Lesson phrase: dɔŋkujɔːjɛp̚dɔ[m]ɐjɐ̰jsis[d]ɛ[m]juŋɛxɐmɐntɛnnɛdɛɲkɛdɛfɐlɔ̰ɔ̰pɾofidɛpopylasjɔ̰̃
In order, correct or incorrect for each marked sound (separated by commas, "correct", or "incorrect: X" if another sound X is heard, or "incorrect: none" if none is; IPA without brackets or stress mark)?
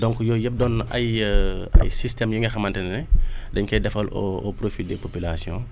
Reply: incorrect: n, incorrect: t, correct